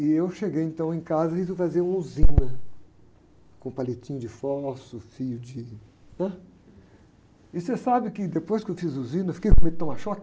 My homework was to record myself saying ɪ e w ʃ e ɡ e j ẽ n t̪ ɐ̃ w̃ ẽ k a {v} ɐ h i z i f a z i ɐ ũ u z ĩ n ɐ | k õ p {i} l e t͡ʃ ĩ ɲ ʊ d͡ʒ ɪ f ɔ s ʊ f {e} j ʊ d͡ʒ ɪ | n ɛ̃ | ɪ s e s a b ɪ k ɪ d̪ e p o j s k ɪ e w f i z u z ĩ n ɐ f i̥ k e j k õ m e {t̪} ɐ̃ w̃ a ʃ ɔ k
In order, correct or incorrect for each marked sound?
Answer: incorrect, incorrect, incorrect, correct

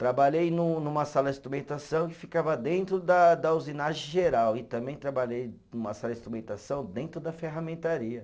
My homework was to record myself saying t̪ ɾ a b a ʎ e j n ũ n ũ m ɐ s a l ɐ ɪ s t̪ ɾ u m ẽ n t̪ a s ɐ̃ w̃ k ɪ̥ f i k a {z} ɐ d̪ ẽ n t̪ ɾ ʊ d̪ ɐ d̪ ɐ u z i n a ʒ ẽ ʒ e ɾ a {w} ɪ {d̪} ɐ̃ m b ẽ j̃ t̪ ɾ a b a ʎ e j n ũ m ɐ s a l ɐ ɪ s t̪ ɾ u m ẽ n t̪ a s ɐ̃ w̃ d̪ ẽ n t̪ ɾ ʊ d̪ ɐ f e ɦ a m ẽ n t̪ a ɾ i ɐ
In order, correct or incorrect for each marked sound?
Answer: incorrect, correct, incorrect

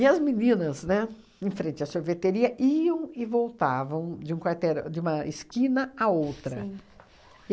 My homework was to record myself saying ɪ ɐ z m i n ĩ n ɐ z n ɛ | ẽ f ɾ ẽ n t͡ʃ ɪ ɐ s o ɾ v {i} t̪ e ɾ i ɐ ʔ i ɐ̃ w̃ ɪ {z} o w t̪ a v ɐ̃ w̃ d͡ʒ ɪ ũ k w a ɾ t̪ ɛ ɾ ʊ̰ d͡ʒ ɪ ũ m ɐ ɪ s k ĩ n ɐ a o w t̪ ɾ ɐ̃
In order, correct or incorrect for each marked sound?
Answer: incorrect, incorrect

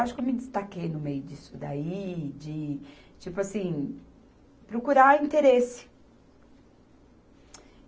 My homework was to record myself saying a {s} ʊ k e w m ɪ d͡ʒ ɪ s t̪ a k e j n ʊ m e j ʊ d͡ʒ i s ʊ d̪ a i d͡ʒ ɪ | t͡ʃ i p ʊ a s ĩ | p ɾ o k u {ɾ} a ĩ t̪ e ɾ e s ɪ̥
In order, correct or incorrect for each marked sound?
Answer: incorrect, correct

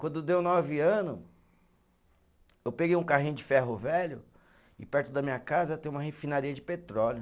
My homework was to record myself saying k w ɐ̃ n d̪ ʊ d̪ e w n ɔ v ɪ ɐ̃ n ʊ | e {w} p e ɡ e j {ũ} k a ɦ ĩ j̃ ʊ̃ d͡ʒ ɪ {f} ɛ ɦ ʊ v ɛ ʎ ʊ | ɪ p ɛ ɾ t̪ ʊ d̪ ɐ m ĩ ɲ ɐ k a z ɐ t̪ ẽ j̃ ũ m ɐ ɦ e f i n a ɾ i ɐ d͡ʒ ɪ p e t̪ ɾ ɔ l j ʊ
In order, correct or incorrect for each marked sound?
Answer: correct, correct, correct

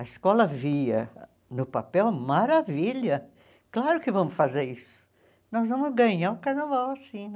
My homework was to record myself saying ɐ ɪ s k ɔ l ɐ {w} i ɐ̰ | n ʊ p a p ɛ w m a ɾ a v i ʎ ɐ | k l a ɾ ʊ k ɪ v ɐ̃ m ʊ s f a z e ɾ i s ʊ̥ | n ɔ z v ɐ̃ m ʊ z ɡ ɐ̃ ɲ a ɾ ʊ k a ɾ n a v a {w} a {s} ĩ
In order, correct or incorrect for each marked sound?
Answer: incorrect, correct, correct

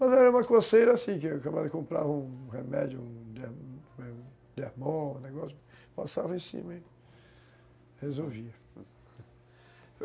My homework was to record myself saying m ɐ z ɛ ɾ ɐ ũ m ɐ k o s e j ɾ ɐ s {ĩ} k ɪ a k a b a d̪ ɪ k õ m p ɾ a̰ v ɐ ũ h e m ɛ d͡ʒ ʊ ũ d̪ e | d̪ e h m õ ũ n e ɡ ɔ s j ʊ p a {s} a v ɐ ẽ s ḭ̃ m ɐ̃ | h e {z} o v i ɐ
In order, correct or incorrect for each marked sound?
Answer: correct, correct, correct

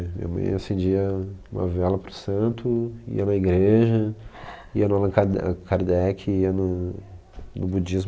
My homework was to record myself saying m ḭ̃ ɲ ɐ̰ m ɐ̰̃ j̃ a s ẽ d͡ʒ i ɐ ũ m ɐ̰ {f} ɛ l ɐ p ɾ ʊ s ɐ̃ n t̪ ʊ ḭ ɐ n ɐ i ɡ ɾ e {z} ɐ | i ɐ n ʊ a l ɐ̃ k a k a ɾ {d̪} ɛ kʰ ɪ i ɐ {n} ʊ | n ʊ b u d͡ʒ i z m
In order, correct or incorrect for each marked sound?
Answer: incorrect, incorrect, correct, correct

